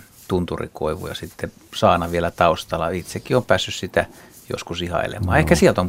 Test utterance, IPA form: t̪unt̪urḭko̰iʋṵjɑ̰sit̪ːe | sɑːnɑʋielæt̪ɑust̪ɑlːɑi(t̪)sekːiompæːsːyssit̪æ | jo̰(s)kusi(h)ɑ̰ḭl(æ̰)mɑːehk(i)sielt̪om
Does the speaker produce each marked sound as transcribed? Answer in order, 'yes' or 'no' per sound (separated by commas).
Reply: yes, yes, yes, no, no